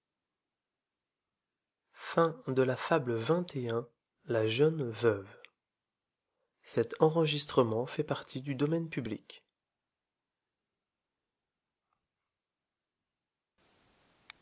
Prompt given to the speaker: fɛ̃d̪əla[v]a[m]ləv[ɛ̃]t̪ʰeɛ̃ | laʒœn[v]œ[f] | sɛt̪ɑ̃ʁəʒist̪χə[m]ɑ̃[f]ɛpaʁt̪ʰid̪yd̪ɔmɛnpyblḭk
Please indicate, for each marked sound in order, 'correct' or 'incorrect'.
incorrect, incorrect, correct, correct, incorrect, correct, correct

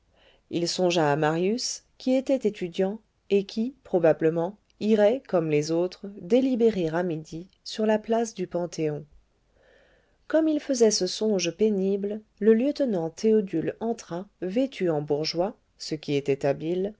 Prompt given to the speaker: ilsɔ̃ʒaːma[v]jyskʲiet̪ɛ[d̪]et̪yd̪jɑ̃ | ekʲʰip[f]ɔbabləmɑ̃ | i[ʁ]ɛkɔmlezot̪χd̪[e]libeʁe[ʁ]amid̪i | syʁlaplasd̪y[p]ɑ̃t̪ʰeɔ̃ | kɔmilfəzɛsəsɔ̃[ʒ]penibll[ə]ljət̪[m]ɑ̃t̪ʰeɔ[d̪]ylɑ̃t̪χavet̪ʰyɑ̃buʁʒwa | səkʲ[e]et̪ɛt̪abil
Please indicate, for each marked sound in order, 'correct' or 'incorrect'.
incorrect, incorrect, incorrect, correct, correct, correct, correct, correct, correct, incorrect, correct, incorrect

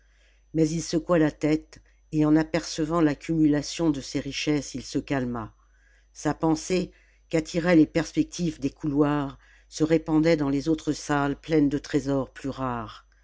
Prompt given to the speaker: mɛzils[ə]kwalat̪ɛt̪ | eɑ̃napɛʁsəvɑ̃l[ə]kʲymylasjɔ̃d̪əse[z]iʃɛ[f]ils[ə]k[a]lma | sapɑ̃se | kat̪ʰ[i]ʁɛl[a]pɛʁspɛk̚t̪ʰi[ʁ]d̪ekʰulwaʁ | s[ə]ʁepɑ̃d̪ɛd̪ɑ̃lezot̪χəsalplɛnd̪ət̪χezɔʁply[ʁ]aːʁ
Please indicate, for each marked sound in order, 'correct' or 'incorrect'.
correct, incorrect, incorrect, incorrect, correct, correct, correct, incorrect, incorrect, correct, correct

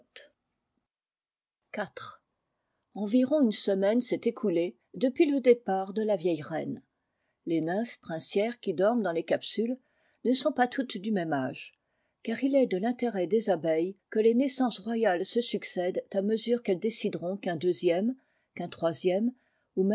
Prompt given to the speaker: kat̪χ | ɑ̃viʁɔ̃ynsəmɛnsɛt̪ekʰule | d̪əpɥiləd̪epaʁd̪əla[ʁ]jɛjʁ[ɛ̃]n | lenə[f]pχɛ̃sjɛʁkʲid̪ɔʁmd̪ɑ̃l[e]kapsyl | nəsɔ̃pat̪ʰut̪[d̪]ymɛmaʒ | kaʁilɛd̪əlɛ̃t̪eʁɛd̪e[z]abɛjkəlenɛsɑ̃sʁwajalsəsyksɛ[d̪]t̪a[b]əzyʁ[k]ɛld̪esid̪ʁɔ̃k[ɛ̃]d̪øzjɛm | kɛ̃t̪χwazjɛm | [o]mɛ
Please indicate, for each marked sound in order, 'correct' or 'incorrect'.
incorrect, incorrect, correct, correct, correct, correct, correct, incorrect, correct, correct, incorrect

